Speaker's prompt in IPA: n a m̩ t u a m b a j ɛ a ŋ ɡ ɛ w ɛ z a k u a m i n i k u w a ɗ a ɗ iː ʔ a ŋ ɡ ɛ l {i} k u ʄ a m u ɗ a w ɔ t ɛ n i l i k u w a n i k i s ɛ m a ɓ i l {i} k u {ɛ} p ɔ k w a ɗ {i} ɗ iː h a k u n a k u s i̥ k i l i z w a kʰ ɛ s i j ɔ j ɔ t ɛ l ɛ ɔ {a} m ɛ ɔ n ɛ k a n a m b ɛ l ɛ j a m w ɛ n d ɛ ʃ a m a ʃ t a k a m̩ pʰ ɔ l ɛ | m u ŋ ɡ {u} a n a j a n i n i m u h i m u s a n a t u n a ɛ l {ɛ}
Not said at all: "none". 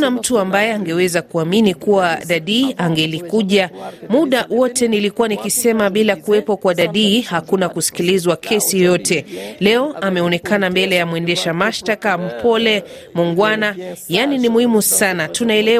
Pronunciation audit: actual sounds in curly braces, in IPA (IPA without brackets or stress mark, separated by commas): i, a, ɛ, a, a, w, ɛ